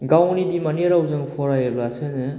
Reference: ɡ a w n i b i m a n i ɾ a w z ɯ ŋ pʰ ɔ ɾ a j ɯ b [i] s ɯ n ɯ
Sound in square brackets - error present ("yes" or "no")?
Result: yes